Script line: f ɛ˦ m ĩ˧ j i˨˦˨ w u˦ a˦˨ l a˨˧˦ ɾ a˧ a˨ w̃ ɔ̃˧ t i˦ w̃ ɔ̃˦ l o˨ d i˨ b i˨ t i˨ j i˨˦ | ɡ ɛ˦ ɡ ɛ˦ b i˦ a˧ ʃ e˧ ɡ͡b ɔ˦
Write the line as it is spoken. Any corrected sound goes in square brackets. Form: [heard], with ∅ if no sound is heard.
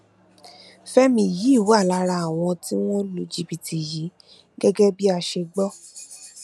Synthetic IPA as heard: f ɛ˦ m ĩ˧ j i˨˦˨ w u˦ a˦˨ l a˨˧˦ ɾ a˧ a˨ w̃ ɔ̃˧ t i˦ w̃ ɔ̃˦ l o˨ [d͡ʒ] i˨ b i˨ t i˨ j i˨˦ | ɡ ɛ˦ ɡ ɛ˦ b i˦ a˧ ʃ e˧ ɡ͡b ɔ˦